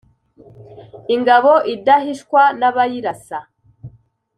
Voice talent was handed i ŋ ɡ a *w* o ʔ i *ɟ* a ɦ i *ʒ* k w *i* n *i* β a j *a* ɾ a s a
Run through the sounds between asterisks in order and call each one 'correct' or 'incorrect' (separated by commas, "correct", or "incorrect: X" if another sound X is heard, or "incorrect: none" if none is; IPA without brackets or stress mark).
incorrect: β, incorrect: d, incorrect: ʃ, incorrect: a, incorrect: a, incorrect: i